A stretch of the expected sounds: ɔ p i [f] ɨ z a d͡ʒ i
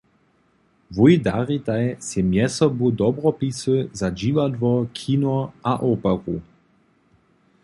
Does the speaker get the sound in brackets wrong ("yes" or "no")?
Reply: yes